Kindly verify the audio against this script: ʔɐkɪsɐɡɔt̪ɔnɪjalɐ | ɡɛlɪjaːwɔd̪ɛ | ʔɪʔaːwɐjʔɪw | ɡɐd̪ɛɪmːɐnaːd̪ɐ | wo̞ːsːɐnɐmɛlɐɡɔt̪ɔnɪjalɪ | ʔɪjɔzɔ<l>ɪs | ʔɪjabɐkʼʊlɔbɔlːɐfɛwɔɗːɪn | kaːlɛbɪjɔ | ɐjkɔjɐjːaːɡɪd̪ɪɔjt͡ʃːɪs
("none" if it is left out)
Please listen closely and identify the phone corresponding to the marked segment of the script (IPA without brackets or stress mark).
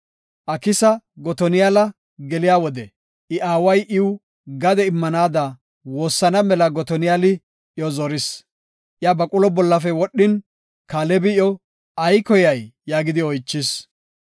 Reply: ɾ